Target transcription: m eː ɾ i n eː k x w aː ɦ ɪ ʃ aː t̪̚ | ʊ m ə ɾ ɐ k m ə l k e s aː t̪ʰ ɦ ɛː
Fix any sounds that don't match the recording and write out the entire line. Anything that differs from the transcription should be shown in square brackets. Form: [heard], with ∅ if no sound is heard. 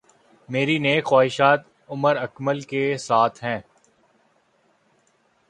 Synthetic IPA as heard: m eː ɾ i n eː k x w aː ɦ ɪ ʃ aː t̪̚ | ʊ m ə ɾ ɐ k m ə l k e s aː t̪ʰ ɦ [ɛ̃ː]